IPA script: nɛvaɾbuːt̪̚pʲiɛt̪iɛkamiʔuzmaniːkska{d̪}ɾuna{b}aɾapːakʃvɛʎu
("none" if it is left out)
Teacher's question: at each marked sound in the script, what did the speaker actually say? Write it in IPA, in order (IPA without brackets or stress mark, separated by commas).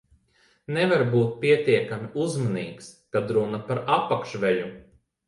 d̪, p